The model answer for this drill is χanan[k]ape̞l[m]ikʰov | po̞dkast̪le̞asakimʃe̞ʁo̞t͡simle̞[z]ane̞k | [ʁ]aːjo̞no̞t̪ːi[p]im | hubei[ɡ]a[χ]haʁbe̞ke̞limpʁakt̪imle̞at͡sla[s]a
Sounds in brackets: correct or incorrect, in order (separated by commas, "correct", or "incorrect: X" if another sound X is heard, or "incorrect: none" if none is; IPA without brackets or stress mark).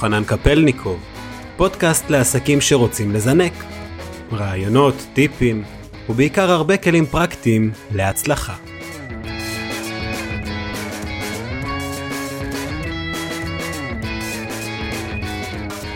correct, incorrect: n, correct, correct, correct, incorrect: k, incorrect: ʁ, incorrect: χ